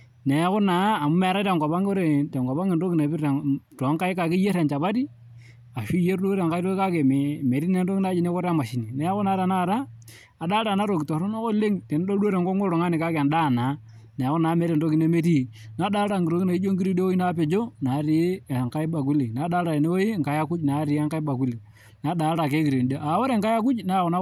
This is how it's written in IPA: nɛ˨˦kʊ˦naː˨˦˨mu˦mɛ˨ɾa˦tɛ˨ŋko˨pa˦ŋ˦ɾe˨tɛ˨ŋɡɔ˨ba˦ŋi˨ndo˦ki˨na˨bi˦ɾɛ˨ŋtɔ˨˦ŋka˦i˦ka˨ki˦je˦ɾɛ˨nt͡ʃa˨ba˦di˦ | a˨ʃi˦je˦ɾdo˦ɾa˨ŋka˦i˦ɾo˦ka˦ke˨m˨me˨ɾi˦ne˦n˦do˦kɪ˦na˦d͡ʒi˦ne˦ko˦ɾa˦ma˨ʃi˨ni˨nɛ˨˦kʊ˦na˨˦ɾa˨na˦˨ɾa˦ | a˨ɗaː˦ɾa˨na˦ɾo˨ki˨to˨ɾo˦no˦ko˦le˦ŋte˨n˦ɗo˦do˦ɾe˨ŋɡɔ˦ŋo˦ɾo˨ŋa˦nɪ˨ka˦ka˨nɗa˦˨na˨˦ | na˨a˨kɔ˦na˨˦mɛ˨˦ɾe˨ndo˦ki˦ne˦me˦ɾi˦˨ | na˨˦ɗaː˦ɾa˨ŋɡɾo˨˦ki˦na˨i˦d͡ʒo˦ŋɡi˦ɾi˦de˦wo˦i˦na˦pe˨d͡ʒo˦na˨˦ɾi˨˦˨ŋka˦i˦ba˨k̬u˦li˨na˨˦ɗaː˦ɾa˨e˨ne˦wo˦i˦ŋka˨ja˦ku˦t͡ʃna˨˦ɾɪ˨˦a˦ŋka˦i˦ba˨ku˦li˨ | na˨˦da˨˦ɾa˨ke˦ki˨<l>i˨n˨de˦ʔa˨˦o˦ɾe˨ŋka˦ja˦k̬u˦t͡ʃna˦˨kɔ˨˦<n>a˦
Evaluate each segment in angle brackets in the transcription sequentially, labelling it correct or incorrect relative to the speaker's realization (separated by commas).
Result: incorrect, correct